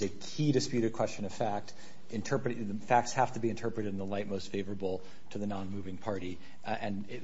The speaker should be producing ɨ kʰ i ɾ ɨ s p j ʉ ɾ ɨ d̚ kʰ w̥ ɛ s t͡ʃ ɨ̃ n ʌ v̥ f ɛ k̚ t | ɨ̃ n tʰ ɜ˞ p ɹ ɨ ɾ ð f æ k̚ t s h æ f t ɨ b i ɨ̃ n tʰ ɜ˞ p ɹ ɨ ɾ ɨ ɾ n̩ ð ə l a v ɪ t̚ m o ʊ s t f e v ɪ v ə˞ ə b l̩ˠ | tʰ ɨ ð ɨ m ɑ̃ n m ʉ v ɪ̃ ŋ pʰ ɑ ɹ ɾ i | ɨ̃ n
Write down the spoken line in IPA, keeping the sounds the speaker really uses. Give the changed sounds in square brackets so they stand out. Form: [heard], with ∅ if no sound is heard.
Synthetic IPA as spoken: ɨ kʰ i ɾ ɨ s p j ʉ ɾ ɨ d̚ kʰ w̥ ɛ s t͡ʃ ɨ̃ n ʌ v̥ f [æ] k̚ t | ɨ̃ n tʰ ɜ˞ p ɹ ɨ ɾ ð f æ k̚ t s h æ f t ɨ b i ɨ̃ n tʰ ɜ˞ p ɹ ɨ ɾ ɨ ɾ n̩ ð ə l a [∅] ɪ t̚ m o ʊ s t f e [∅] ɪ v ə˞ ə b l̩ˠ | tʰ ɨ ð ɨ [n] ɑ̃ n m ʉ v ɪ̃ ŋ pʰ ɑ ɹ ɾ i | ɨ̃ n